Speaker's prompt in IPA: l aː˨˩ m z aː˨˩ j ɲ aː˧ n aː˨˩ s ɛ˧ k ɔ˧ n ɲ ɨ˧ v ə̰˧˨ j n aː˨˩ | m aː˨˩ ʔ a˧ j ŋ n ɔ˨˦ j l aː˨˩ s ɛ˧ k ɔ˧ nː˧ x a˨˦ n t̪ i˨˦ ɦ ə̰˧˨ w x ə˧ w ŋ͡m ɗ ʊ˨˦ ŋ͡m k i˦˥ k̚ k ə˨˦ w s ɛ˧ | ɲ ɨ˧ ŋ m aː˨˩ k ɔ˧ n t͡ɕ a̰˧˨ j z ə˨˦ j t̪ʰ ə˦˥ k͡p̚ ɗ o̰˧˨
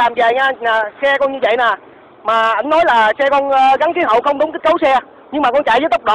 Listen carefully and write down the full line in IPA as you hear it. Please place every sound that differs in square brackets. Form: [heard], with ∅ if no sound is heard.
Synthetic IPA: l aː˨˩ m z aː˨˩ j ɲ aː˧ n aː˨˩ s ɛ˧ k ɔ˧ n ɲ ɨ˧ v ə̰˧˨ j n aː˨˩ | m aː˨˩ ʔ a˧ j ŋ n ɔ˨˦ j l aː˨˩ s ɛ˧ k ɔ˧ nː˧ [ɣ] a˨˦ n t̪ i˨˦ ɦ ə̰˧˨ w x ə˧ w ŋ͡m ɗ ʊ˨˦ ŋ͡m k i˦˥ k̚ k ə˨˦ w s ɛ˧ | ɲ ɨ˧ ŋ m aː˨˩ k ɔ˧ n t͡ɕ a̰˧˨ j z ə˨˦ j [t̪] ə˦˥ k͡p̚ ɗ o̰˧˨